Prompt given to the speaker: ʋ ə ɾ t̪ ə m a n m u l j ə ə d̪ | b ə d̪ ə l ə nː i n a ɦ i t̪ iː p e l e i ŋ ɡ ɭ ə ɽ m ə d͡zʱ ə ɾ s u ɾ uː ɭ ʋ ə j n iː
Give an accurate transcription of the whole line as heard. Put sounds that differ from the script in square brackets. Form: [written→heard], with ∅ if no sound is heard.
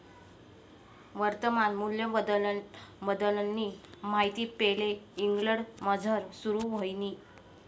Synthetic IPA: ʋ ə ɾ t̪ ə m a n m u l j ə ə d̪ | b ə d̪ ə l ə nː i [n→m] a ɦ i t̪ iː p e l e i ŋ ɡ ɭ ə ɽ m ə d͡zʱ ə ɾ s u ɾ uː [ɭ→∅] ʋ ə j n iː